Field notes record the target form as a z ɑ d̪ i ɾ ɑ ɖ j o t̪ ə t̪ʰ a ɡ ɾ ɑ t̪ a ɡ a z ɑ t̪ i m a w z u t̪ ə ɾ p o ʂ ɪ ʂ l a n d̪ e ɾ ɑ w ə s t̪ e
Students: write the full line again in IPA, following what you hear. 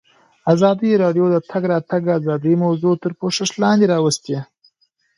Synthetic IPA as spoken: a z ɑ d̪ i ɾ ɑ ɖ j o d̪ ə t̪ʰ a ɡ ɾ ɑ t̪ a ɡ a z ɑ d̪ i m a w z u t̪ ə ɾ p o ʂ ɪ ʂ l ɑ n d̪ e ɾ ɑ w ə s t̪ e